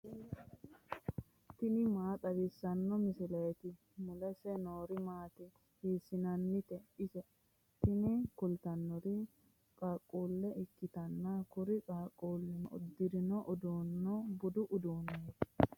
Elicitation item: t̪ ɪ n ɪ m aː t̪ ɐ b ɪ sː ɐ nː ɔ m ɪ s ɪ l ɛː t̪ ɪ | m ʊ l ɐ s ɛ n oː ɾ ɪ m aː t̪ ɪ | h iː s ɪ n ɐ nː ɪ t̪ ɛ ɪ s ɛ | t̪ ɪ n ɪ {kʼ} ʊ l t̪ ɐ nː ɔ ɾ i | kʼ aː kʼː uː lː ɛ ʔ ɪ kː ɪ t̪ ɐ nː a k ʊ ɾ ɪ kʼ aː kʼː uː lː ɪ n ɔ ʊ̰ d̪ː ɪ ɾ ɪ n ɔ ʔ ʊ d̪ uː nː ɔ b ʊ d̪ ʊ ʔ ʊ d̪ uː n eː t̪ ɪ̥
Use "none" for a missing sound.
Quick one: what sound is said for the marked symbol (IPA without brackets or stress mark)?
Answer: k